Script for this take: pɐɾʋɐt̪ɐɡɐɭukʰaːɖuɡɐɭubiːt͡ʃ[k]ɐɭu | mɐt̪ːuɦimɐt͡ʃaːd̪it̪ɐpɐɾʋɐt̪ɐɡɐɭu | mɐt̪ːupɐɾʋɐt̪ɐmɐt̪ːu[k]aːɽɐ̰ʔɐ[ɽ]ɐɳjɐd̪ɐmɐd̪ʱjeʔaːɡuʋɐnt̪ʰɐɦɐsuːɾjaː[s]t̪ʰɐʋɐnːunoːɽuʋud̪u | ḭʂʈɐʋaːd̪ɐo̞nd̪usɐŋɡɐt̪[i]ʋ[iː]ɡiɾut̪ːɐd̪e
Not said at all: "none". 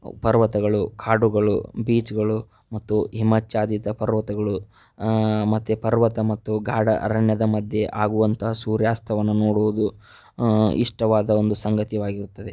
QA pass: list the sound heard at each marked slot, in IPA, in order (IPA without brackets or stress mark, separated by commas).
ɡ, ɡ, ɾ, s, i, aː